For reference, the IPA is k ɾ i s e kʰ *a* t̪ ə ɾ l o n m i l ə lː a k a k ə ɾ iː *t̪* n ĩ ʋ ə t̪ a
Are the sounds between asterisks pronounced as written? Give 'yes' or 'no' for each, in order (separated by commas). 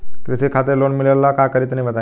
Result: yes, yes